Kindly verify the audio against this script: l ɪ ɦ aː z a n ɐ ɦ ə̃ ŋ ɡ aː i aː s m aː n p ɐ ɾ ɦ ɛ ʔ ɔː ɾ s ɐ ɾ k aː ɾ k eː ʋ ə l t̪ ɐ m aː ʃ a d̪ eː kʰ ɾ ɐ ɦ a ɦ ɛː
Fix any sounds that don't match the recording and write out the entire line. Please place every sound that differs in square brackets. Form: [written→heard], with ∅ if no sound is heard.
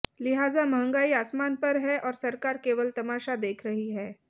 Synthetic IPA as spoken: l ɪ ɦ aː z a [n→m] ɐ ɦ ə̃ ŋ ɡ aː i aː s m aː n p ɐ ɾ ɦ ɛ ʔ ɔː ɾ s ɐ ɾ k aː ɾ k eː ʋ ə l t̪ ɐ m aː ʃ a d̪ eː kʰ ɾ ɐ ɦ [a→i] ɦ ɛː